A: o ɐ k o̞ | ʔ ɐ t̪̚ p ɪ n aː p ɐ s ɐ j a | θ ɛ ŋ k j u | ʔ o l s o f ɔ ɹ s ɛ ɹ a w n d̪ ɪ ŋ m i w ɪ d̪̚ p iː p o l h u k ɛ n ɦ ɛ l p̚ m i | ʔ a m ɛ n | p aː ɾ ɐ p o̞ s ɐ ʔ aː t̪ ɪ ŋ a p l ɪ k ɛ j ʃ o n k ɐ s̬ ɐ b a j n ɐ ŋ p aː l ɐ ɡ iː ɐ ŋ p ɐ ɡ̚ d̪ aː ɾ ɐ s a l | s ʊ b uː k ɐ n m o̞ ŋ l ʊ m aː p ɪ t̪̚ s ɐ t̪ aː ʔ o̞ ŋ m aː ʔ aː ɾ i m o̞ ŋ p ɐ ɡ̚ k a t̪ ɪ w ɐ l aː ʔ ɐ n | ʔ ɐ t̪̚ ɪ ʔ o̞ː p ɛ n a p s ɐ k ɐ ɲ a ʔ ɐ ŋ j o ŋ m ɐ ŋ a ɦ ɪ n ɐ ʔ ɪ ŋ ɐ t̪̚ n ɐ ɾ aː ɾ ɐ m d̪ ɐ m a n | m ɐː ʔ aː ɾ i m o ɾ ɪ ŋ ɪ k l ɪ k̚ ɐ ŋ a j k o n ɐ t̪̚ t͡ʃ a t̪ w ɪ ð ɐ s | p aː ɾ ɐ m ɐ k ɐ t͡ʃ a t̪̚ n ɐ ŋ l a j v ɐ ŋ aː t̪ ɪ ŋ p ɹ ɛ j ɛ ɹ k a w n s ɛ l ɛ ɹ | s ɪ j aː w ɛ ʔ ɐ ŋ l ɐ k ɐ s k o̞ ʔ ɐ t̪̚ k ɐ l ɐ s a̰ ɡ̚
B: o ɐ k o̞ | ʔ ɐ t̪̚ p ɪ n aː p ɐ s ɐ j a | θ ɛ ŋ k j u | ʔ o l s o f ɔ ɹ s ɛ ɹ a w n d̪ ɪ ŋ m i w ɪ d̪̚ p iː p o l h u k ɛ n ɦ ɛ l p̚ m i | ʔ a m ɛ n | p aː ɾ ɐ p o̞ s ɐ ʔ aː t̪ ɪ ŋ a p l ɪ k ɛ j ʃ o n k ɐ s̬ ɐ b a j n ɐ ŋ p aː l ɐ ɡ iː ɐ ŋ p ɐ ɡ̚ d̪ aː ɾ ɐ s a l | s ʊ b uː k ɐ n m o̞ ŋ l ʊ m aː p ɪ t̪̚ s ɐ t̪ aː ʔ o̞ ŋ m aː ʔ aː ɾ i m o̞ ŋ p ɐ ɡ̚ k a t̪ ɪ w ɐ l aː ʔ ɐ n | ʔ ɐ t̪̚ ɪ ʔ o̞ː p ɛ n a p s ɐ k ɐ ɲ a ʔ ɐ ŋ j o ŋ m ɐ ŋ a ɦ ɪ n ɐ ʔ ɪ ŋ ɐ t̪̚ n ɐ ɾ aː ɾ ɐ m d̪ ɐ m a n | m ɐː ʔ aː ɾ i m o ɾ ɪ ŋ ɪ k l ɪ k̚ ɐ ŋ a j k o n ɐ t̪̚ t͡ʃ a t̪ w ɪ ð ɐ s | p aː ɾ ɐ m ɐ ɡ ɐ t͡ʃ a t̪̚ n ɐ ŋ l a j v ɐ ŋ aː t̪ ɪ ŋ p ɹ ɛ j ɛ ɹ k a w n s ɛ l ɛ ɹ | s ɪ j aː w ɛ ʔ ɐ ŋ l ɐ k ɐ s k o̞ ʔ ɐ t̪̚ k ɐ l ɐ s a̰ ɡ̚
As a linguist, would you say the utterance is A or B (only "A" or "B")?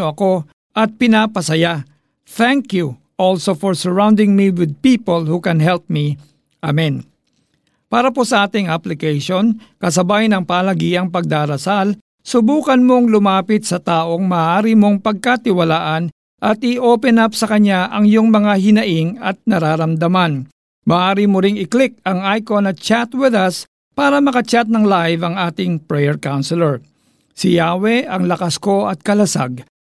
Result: A